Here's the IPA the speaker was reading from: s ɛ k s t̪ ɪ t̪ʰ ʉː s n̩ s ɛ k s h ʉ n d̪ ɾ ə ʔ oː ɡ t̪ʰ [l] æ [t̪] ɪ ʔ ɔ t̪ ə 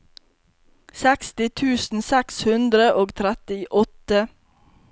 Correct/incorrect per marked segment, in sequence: incorrect, correct

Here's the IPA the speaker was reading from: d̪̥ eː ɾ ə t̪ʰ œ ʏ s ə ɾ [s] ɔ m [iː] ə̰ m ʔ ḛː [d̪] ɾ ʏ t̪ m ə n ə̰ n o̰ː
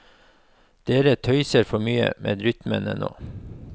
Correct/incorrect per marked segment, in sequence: incorrect, incorrect, correct

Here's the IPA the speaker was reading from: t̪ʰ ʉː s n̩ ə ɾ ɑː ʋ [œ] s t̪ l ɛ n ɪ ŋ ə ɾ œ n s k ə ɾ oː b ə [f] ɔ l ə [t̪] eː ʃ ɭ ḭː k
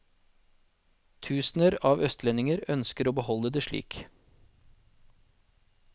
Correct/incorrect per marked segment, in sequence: correct, incorrect, incorrect

